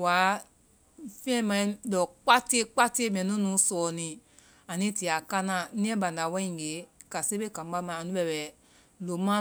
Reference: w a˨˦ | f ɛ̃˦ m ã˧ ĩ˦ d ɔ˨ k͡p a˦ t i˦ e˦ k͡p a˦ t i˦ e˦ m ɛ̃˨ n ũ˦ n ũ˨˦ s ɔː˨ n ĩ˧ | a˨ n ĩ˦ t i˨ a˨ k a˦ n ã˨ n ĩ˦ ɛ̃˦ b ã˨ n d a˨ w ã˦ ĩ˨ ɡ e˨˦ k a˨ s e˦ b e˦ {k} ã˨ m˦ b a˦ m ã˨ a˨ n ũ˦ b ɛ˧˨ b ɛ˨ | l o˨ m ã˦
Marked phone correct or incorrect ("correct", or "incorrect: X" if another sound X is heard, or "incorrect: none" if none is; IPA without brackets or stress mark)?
correct